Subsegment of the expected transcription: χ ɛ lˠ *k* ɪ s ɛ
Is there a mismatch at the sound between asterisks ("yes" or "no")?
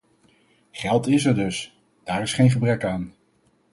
yes